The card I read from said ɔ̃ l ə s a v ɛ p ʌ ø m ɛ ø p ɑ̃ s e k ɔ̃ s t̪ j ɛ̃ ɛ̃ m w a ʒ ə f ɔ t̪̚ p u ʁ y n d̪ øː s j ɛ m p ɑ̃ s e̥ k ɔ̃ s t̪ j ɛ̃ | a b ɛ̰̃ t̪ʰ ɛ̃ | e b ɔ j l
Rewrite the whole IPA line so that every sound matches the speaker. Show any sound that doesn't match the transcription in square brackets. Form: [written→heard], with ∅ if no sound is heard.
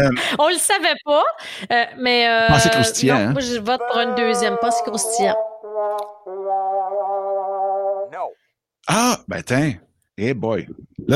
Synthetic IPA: ɔ̃ l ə s a v ɛ p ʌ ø m ɛ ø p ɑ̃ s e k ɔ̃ s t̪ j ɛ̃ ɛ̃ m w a ʒ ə [f→v] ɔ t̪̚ p u ʁ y n d̪ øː [s→z] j ɛ m p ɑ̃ s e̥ k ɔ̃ s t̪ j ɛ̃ | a b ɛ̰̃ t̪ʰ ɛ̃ | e b ɔ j l